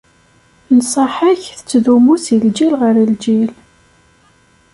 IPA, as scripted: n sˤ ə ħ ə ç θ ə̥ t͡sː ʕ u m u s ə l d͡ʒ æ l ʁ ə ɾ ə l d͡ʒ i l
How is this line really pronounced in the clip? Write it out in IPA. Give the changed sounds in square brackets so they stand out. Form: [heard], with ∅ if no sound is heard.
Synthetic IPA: n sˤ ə ħ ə ç θ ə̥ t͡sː [ð] u m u s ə l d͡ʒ [i] l ʁ ə ɾ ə l d͡ʒ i l